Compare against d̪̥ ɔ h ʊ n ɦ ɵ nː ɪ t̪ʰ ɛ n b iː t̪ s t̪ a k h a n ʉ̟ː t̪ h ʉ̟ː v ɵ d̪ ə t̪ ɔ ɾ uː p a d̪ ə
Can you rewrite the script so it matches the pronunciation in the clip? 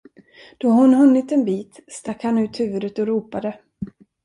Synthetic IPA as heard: d̪̥ ɔ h ʊ n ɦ ɵ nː ɪ t̪ ɛ n b iː t̪ s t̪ a k h a n ʉ̟ː t̪ h ʉ̟ː v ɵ d̪ ə t̪ ɔ ɾ uː p a d̪ ə

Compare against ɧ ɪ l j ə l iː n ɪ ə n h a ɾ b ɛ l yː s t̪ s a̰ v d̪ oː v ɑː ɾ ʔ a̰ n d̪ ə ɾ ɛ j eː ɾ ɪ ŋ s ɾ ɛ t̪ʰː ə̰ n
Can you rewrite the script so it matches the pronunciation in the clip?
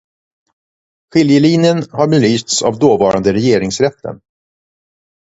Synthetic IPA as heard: ɧ ɪ l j ə l iː n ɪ ə n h a ɾ b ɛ l yː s t̪ s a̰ v d̪ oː v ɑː ɾ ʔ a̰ n d̪ ə ɾ ɛ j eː ɾ ɪ ŋ s ɾ ɛ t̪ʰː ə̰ n

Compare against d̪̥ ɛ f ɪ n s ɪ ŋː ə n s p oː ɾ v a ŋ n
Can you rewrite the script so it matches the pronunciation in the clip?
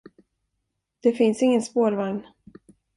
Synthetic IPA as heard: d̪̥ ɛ f ɪ n s ɪ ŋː ə n s p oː ɾ v a ŋ n

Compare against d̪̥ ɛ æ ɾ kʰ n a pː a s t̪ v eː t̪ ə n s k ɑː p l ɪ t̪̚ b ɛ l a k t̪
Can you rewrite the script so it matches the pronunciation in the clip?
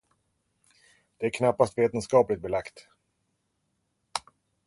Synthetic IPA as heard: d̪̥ ɛ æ ɾ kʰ n a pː a s t̪ v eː t̪ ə n s k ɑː p l ɪ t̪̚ b ɛ l a k t̪

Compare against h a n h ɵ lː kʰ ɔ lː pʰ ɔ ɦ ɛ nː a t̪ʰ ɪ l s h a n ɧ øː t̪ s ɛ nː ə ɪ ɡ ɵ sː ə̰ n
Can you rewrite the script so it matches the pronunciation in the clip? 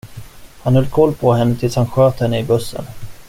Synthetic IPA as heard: h a n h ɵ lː kʰ ɔ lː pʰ ɔ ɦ ɛ nː ə t̪ʰ ɪ l s h a n ɧ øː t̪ h ɛ nː ə ɪ b ɵ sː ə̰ n

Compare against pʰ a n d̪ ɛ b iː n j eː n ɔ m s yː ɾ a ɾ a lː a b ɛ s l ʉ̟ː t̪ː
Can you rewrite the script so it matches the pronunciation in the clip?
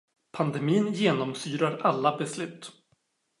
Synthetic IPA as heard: pʰ a n d̪ ɛ m iː n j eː n ɔ m s yː ɾ a ɾ a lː a b ɛ s l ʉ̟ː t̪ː

